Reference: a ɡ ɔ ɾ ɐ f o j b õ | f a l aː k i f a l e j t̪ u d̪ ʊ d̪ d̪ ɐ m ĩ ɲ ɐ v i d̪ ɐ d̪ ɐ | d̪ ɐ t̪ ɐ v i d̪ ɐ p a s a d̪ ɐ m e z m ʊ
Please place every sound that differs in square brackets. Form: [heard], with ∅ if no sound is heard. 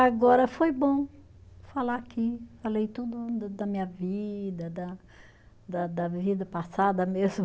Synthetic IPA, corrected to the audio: a ɡ ɔ ɾ ɐ f o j b õ | f a l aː k i f a l e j t̪ u d̪ ʊ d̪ d̪ ɐ m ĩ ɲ ɐ v i d̪ ɐ d̪ ɐ | d̪ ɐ [d̪] ɐ v i d̪ ɐ p a s a d̪ ɐ m e z m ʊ